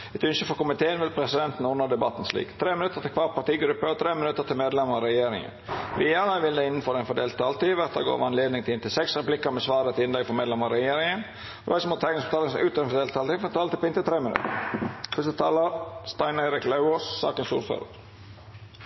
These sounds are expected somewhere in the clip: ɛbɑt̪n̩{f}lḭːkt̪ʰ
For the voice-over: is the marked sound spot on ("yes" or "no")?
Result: no